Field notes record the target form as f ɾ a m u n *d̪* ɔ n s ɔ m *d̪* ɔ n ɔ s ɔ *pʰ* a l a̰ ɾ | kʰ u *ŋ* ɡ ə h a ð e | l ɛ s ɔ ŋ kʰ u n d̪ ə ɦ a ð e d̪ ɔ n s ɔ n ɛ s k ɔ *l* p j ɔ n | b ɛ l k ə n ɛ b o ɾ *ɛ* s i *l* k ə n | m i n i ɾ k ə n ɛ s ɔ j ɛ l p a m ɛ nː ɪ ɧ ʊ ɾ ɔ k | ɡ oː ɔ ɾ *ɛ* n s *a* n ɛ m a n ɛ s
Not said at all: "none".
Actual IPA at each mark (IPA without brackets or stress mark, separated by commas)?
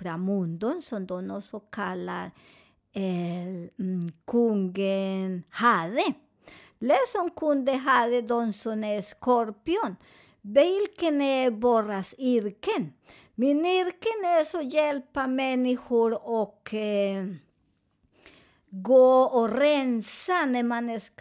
d̪, d̪, kʰ, ŋ, ɾ, a, ɾ, ɛ, a